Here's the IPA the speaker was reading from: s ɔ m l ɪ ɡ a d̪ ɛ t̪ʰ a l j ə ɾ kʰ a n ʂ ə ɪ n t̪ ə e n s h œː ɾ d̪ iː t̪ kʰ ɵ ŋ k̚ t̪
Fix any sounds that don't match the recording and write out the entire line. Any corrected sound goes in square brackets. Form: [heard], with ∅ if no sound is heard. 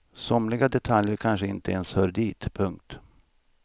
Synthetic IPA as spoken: s ɔ m l ɪ ɡ a d̪ ɛ t̪ʰ a l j ə ɾ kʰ a n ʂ ə ɪ n t̪ ə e n s h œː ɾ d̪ iː t̪ [pʰ] ɵ ŋ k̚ t̪